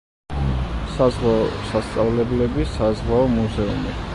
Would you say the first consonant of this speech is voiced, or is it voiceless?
voiceless